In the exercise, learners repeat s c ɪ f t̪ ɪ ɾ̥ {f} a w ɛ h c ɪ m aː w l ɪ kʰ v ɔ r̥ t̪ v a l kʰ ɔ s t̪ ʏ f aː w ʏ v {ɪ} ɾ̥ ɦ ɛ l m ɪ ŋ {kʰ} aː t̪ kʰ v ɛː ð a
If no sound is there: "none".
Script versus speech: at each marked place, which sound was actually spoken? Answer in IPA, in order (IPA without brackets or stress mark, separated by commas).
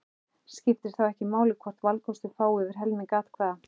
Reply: θ, ɪ, k